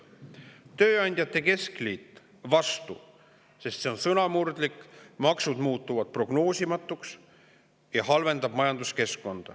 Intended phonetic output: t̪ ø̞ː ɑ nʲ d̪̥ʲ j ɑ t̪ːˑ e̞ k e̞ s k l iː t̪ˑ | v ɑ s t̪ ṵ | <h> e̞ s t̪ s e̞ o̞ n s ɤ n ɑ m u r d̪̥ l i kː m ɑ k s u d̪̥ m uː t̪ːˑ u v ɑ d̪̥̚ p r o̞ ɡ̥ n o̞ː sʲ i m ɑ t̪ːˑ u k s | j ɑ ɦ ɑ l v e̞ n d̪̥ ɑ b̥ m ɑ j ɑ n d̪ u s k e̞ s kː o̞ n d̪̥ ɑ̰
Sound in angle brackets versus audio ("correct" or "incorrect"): incorrect